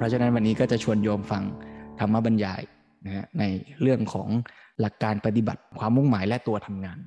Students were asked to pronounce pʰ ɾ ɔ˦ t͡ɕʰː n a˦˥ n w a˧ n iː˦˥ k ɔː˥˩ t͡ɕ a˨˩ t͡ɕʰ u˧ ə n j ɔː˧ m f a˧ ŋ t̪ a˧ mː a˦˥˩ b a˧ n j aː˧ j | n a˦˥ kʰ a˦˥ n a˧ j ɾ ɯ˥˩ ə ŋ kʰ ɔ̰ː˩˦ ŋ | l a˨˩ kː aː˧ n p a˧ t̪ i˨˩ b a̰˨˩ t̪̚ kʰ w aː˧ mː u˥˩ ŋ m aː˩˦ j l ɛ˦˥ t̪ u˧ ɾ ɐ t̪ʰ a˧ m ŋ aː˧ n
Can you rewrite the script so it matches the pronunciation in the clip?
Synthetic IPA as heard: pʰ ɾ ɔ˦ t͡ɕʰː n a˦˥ n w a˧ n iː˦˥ k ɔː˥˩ t͡ɕ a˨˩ t͡ɕʰ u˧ ə n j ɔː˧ m f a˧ ŋ t̪ʰ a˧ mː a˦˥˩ b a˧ n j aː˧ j | n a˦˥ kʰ a˦˥ n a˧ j ɾ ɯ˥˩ ə ŋ kʰ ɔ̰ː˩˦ ŋ | l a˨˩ kː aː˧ n p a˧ t̪ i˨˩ b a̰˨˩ t̪̚ kʰ w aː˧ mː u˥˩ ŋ m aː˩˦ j l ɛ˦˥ t̪ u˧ ɐ t̪ʰ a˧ m ŋ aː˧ n